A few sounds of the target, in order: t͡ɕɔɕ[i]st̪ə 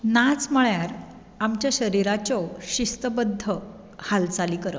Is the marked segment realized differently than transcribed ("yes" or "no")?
no